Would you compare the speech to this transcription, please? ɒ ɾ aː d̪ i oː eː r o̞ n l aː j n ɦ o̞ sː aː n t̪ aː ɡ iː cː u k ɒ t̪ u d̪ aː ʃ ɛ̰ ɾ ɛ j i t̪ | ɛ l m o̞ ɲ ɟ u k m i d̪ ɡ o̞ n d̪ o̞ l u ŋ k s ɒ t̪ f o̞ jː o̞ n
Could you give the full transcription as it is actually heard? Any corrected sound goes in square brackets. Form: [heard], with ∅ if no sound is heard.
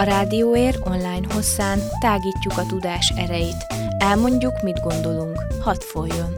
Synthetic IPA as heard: ɒ ɾ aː d̪ i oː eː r o̞ n l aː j n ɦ o̞ sː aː n t̪ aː ɡ iː cː u k ɒ t̪ u d̪ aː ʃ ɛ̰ ɾ ɛ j i t̪ | ɛ l m o̞ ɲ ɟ u k m i d̪ ɡ o̞ n d̪ o̞ l u ŋ k [h] ɒ t̪ f o̞ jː o̞ n